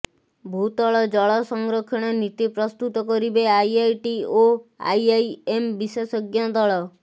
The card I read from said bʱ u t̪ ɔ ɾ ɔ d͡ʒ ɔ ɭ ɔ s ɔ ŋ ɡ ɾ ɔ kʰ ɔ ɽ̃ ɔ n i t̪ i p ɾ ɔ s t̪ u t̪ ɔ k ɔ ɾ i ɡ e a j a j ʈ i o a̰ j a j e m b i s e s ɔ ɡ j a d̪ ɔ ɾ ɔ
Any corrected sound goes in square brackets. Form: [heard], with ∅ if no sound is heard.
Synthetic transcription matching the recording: bʱ u t̪ ɔ [ɭ] ɔ d͡ʒ ɔ ɭ ɔ s ɔ ŋ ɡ ɾ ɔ kʰ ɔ ɽ̃ ɔ n i t̪ i p ɾ ɔ s t̪ u t̪ ɔ k ɔ ɾ i [b] e a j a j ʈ i o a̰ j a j e m b i s e s ɔ ɡ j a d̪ ɔ [ɭ] ɔ